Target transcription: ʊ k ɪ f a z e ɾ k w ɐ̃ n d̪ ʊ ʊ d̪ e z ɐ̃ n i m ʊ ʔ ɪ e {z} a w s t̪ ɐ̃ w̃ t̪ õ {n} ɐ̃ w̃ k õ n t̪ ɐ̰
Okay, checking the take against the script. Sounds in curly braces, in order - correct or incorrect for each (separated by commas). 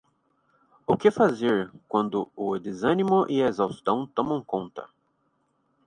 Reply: correct, incorrect